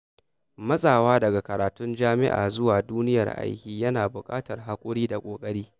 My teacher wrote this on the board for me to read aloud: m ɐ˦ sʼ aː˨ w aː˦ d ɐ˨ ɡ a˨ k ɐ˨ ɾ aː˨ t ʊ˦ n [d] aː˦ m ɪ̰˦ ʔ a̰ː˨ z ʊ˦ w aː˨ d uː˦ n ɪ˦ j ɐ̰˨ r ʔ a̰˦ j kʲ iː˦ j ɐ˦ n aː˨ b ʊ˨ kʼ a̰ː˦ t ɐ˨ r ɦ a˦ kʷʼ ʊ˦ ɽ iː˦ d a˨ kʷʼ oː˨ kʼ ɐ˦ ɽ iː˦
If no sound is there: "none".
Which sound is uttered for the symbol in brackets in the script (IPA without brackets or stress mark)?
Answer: d͡ʒ